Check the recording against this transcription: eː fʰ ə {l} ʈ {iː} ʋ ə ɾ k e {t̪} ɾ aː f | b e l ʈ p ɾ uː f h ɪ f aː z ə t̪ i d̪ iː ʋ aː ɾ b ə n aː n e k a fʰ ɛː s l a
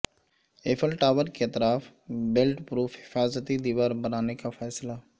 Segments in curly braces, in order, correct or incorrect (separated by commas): correct, incorrect, correct